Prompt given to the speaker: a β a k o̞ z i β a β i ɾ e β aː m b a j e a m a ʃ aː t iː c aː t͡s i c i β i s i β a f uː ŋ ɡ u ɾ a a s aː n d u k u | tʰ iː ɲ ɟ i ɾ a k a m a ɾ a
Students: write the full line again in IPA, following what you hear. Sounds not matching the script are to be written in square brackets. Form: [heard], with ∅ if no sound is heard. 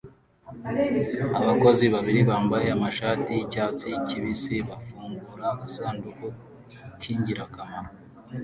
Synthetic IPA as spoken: a β a k o̞ z i β a β i ɾ [i] β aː m b a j e a m a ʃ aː t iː c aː t͡s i c i β i s i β a f uː ŋ ɡ u ɾ a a s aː n d u k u | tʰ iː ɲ ɟ i ɾ a k a m a ɾ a